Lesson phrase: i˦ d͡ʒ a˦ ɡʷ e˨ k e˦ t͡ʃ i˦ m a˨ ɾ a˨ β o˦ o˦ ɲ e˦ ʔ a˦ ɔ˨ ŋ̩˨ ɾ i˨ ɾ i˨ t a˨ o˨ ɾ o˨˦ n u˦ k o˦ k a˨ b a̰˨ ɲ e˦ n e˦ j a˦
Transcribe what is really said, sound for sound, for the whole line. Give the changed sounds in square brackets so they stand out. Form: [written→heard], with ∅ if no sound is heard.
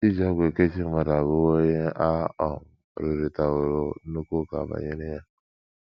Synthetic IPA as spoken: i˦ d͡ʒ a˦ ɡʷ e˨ k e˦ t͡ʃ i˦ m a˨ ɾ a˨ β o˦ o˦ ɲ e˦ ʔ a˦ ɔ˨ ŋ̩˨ ɾ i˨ ɾ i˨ t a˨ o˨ ɾ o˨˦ n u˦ k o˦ k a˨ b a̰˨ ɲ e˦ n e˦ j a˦